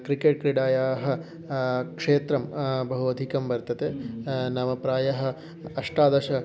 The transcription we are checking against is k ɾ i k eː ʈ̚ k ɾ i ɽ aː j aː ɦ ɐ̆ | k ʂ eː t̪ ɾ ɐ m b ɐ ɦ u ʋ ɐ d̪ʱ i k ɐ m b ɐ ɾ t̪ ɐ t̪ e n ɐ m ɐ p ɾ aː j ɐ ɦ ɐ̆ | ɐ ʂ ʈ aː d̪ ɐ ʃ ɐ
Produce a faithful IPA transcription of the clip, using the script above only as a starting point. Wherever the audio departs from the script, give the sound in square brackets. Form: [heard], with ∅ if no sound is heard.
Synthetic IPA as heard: k ɾ i k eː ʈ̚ k ɾ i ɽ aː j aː ɦ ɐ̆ | k ʂ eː t̪ ɾ ɐ m b ɐ ɦ u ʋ ɐ d̪ʱ i k ɐ m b ɐ ɾ t̪ ɐ t̪ e n ɐ m ɐ p ɾ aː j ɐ ɦ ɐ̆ | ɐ ʂ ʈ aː d̪ ɐ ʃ ɐ